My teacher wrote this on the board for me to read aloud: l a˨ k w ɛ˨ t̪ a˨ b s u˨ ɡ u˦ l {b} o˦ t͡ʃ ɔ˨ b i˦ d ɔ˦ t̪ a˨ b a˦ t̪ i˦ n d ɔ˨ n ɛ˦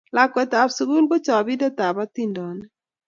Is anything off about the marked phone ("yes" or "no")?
no